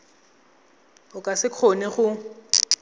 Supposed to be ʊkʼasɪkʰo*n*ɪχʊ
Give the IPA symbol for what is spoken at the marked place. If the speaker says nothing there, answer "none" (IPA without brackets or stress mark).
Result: n